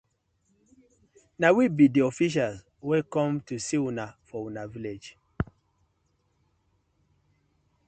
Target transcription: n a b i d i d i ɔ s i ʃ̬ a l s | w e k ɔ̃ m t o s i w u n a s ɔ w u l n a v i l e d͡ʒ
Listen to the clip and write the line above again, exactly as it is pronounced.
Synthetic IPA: n a w i b i d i ɔ f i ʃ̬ a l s | w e k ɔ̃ m t u s i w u n a f ɔ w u n a v i l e d͡ʒ